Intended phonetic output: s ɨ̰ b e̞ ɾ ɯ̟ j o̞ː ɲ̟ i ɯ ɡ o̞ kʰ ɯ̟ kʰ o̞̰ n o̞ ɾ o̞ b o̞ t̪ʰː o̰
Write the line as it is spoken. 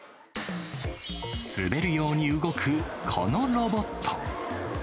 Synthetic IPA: s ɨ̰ b e̞ ɾ ɯ̟ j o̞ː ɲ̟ i ɯ ɡ o̞ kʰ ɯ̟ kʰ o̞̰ n o̞ ɾ o̞ b o̞ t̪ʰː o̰